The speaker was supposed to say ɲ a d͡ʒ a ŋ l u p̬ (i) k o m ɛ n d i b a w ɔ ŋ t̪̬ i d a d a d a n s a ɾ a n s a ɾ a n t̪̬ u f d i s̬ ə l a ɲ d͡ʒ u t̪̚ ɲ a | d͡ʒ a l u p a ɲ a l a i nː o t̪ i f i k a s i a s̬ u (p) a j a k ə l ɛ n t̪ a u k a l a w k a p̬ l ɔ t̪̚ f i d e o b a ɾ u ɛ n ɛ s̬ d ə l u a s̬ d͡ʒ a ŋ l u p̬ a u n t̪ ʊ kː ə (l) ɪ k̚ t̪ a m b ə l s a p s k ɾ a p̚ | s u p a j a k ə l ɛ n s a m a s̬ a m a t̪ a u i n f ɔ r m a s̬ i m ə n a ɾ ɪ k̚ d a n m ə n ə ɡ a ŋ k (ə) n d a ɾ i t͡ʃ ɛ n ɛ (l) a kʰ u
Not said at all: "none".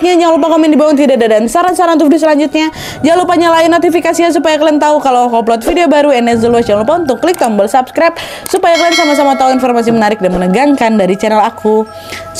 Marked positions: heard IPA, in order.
a, p, l, a, l

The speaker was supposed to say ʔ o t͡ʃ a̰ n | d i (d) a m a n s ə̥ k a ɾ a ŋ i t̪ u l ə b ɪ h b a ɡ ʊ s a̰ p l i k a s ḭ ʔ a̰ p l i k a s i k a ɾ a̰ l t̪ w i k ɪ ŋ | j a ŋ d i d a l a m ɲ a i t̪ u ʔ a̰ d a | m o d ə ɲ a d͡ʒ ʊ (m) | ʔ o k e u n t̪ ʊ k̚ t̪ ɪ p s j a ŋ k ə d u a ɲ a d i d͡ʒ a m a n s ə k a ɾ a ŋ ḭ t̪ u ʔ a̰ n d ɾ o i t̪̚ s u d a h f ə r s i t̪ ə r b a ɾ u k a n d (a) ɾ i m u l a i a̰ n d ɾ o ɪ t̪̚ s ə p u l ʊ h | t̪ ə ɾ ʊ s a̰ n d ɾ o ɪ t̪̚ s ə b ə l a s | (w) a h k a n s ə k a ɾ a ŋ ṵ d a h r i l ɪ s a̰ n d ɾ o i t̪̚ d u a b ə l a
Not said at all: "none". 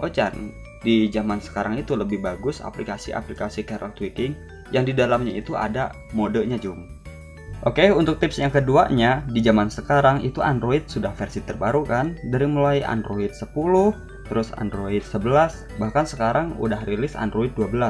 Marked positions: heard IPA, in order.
d͡ʒ, m, a, b

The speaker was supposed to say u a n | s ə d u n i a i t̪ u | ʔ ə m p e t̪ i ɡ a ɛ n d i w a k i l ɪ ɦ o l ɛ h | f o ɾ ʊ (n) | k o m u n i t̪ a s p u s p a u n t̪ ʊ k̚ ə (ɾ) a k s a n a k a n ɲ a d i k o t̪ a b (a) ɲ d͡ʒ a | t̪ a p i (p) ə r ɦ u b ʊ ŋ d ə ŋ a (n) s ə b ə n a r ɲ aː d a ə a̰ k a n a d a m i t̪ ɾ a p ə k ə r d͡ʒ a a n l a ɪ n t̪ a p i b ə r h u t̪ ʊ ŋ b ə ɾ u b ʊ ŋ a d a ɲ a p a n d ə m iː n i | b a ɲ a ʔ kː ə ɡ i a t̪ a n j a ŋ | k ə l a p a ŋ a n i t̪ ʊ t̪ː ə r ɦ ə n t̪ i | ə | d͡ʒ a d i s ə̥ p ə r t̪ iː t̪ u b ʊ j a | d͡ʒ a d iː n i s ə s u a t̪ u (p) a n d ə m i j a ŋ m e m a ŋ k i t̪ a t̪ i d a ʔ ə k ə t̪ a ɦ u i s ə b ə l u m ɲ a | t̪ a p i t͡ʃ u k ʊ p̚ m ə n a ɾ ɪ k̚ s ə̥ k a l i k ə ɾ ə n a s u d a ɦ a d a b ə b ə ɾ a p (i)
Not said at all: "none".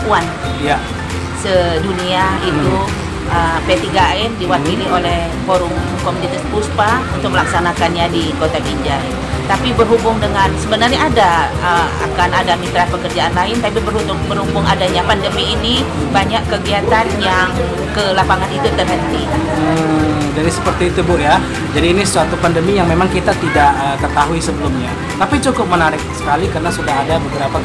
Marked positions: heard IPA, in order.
ŋ, l, i, b, n, p, a

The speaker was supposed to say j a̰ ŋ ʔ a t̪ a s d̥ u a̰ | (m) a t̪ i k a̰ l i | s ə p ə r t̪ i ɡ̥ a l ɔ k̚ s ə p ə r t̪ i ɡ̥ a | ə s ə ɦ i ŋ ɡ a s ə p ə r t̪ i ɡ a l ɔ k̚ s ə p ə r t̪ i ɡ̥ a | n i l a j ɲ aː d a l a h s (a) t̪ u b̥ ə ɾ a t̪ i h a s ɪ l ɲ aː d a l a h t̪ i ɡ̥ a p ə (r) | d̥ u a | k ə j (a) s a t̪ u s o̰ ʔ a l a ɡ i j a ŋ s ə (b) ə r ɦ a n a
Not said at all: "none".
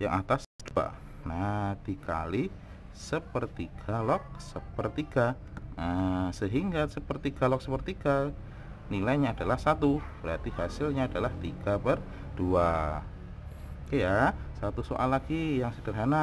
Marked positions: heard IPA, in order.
n, a, r, a, d

